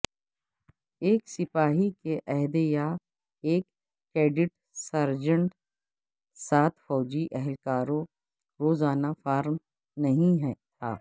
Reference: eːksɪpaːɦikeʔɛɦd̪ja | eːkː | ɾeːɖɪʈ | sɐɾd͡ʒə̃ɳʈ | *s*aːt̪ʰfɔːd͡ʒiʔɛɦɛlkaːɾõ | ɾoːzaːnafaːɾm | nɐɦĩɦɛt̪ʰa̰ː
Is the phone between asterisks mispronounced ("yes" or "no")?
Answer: no